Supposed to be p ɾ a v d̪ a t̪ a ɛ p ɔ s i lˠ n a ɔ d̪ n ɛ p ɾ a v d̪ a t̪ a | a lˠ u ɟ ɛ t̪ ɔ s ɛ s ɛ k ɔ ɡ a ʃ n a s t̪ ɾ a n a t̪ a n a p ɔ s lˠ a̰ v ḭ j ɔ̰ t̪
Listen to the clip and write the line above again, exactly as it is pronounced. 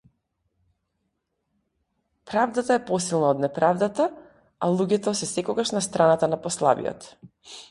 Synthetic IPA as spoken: p ɾ a v d̪ a t̪ a ɛ p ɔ s i lˠ n a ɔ d̪ n ɛ p ɾ a v d̪ a t̪ a | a lˠ u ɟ ɛ t̪ ɔ s ɛ s ɛ k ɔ ɡ a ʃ n a s t̪ ɾ a n a t̪ a n a p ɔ s lˠ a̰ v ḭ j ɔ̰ t̪

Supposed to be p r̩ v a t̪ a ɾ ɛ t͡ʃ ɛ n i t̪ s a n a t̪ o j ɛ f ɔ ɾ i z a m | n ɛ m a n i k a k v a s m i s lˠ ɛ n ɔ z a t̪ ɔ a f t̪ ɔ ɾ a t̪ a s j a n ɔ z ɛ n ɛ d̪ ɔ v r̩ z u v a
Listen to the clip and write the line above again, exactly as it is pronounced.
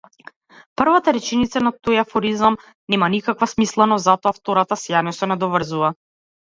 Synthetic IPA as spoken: p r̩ v a t̪ a ɾ ɛ t͡ʃ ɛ n i t̪ s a n a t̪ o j a f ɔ ɾ i z a m | n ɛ m a n i k a k v a s m i s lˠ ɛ n ɔ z a t̪ ɔ a f t̪ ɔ ɾ a t̪ a s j a n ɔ s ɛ n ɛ d̪ ɔ v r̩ z u v a

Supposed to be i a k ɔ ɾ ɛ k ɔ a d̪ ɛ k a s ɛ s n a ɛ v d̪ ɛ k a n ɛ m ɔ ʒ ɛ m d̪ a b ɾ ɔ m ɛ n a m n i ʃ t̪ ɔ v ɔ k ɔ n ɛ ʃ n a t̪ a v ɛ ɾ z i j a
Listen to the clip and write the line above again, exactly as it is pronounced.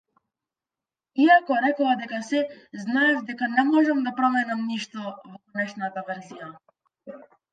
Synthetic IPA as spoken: i a k ɔ ɾ ɛ k ɔ a d̪ ɛ k a s ɛ z n a ɛ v d̪ ɛ k a n ɛ m ɔ ʒ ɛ m d̪ a p ɾ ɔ m ɛ n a m n i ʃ t̪ ɔ v ɔ k ɔ n ɛ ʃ n a t̪ a v ɛ ɾ z i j a

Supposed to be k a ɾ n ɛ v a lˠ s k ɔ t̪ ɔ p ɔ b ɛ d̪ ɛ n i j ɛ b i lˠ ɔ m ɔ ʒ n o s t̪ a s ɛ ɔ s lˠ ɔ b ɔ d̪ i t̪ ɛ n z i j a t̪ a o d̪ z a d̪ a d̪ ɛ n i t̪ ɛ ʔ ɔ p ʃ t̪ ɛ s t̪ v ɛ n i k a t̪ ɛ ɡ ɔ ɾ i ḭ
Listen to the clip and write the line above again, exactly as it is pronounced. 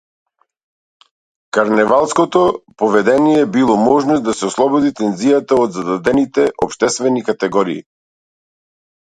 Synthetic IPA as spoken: k a ɾ n ɛ v a lˠ s k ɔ t̪ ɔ p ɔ v ɛ d̪ ɛ n i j ɛ b i lˠ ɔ m ɔ ʒ n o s d̪ a s ɛ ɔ s lˠ ɔ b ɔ d̪ i t̪ ɛ n z i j a t̪ a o d̪ z a d̪ a d̪ ɛ n i t̪ ɛ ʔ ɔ p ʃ t̪ ɛ s t̪ v ɛ n i k a t̪ ɛ ɡ ɔ ɾ i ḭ

